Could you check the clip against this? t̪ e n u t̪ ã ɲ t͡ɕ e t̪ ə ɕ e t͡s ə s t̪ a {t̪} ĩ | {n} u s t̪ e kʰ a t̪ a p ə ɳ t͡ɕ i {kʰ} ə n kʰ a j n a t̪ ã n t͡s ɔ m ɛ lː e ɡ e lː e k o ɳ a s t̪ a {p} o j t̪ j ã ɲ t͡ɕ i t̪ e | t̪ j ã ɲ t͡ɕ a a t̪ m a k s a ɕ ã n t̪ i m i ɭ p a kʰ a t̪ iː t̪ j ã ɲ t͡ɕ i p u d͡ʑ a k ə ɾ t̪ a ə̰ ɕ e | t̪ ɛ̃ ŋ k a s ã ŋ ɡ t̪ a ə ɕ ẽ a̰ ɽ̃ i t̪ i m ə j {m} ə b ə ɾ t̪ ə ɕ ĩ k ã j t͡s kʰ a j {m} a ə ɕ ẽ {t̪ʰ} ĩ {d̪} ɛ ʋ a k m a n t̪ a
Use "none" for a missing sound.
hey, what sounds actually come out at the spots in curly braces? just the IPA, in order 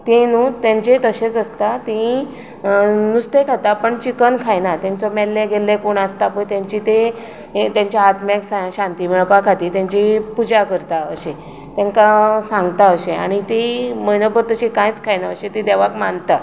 t̪, n, k, p, n, n, t̪, d̪

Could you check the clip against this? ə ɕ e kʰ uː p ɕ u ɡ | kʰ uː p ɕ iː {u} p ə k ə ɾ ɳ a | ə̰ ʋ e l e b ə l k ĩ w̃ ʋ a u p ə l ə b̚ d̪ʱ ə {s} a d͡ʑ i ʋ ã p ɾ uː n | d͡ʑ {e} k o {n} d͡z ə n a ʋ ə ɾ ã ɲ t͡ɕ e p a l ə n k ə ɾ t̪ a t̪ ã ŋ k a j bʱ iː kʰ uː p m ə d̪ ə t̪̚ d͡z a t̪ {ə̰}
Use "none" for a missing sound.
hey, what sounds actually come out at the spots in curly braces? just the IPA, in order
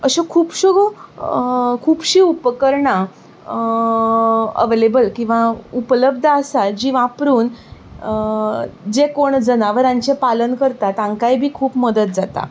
u, s, e, ɳ, a̰

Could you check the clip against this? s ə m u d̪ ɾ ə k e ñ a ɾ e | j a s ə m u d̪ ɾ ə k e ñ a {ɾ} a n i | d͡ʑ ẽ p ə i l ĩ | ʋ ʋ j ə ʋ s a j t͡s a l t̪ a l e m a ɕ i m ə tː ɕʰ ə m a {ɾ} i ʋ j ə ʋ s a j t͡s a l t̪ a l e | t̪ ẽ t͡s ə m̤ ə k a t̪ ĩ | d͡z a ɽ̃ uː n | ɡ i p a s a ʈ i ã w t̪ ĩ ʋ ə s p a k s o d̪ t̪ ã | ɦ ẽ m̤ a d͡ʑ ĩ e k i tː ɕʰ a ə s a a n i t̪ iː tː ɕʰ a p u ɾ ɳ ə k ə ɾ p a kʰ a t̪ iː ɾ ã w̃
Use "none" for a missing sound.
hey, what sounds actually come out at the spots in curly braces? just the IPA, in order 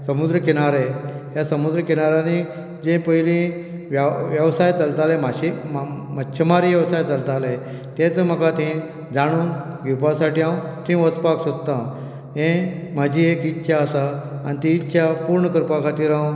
ɾ, ɾ

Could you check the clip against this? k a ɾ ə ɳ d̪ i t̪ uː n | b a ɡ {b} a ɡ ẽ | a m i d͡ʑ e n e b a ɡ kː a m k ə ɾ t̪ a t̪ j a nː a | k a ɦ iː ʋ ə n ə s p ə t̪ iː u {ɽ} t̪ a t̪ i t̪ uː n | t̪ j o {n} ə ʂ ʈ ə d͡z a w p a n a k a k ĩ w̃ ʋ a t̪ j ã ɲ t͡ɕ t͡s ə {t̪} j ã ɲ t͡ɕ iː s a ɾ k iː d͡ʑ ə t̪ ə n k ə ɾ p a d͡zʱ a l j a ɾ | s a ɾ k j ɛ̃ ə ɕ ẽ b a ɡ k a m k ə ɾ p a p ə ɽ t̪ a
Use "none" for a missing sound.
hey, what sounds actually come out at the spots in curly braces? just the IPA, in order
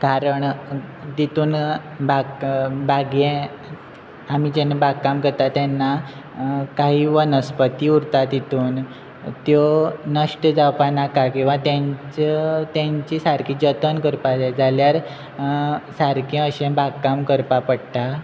b, ɾ, n, t̪

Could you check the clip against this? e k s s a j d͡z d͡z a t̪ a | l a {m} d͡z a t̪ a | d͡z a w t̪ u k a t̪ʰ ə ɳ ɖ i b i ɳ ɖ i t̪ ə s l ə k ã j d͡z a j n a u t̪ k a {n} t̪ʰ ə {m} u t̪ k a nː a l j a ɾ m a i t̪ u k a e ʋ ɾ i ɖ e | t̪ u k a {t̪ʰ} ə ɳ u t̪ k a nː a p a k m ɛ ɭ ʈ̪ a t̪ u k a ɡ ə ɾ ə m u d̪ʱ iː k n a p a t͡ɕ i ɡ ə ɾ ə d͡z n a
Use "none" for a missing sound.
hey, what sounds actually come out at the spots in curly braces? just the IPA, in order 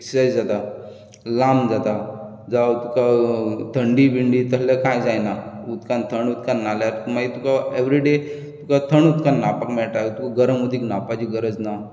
m, n, ɳ, t̪ʰ

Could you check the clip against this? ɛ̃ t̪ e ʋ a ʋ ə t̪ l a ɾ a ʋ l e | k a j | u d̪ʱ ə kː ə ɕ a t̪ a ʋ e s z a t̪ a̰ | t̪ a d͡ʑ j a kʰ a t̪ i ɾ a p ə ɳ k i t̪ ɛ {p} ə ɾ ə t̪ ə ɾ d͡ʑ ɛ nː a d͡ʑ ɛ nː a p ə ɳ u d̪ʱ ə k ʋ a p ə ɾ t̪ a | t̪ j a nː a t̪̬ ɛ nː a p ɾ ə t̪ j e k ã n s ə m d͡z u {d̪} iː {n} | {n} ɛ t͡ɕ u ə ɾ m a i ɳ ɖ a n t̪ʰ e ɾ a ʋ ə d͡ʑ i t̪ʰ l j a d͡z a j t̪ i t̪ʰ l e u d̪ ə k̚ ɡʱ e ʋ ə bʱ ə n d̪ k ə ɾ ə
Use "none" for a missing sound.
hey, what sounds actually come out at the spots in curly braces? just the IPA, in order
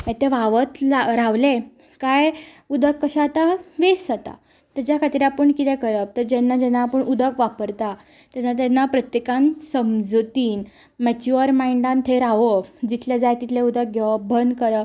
k, t̪, n, m

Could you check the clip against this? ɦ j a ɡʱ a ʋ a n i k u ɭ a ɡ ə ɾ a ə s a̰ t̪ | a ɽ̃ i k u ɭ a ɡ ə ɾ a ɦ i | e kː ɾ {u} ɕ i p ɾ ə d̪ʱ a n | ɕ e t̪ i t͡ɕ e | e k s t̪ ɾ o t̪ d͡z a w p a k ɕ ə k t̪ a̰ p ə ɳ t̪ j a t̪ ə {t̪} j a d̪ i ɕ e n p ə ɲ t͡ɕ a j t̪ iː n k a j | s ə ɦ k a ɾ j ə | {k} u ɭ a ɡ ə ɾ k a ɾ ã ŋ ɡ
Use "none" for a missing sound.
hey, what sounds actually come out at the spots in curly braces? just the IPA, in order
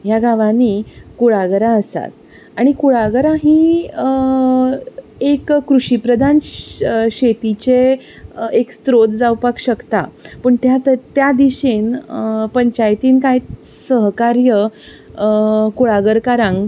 u, t̪, k

